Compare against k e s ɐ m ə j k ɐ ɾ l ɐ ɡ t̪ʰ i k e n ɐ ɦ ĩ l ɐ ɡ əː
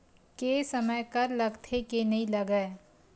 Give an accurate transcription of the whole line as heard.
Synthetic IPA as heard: k e s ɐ m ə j k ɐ ɾ l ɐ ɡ t̪ʰ e k e n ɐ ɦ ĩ l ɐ ɡ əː